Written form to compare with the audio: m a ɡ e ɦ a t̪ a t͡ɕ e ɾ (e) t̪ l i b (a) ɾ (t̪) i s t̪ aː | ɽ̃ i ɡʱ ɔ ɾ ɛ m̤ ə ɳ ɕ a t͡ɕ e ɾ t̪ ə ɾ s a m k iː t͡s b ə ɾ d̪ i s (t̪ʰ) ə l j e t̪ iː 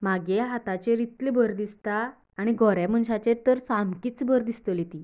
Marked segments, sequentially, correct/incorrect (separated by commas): incorrect, incorrect, incorrect, incorrect